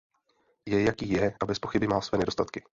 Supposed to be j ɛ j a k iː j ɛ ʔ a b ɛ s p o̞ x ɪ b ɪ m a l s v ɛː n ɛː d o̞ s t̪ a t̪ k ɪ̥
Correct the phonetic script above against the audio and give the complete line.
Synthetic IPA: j ɛ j a k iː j ɛ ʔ a b ɛ s p o̞ x ɪ b ɪ m a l s v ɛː n ɛ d o̞ s t̪ a t̪ k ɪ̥